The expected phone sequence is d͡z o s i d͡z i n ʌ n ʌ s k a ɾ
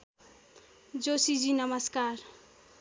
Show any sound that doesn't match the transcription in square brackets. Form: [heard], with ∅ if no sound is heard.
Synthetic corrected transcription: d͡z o s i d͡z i n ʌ [m] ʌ s k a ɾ